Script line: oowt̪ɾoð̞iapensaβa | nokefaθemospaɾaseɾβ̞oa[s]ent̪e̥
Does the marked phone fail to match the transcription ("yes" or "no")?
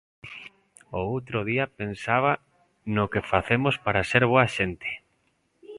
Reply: yes